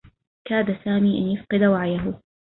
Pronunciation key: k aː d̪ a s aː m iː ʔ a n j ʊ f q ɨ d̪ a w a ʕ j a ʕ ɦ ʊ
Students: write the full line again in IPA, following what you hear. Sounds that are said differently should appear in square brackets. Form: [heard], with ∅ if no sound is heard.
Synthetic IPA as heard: k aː d̪ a s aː m iː ʔ a n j ʊ f q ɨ d̪ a w a ʕ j a [∅] ɦ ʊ